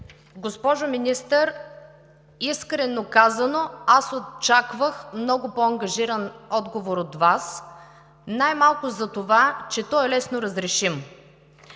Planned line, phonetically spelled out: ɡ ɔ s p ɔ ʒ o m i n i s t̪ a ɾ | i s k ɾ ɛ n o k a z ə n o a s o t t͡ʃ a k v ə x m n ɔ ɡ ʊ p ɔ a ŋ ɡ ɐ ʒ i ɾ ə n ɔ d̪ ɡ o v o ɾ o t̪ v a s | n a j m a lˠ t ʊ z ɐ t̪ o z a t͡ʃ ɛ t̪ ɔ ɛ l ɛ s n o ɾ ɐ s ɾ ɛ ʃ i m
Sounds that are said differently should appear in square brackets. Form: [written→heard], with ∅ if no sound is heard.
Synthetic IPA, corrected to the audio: ɡ [ɔ→o] s p ɔ ʒ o m i n i s t̪ [a→ə] ɾ | i s k ɾ ɛ n o k a z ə n o a s o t t͡ʃ a k v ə x m n ɔ ɡ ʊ p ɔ [a→ɐ] ŋ ɡ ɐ ʒ i ɾ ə n ɔ d̪ ɡ o v o ɾ o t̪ v a s | n a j m a lˠ [t→k] ʊ z ɐ t̪ o [z→v] a t͡ʃ ɛ t̪ ɔ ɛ l ɛ s n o ɾ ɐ [s→z] ɾ ɛ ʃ i m